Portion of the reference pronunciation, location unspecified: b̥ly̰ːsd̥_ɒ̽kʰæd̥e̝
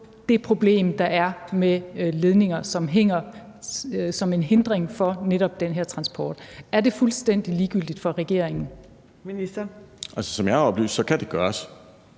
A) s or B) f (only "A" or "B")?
A